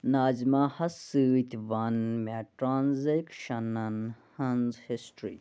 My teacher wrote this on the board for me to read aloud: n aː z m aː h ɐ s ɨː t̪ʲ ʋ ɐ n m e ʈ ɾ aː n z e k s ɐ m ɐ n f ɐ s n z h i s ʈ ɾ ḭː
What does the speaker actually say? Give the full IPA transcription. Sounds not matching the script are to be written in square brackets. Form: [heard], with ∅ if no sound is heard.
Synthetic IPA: n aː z m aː h ɐ s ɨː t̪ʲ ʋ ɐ n m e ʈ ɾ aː n z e k [ʃ] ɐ [n] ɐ n [h] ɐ [∅] n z h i s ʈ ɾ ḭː